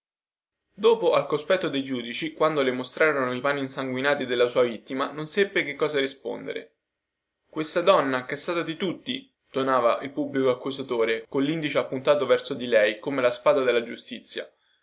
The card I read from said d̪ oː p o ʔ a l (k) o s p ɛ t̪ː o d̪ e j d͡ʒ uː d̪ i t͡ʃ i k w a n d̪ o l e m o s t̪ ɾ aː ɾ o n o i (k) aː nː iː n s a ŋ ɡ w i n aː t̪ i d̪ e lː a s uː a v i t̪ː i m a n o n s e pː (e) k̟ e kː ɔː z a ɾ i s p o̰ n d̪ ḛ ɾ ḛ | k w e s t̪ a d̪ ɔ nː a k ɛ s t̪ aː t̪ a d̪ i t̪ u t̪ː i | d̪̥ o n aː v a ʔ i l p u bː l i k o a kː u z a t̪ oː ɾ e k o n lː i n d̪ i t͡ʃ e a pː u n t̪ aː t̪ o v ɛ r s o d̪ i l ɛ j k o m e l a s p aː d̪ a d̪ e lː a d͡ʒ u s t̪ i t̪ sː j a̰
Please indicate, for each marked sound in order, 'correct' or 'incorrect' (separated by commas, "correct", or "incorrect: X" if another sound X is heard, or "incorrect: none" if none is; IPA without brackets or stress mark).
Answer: correct, incorrect: p, correct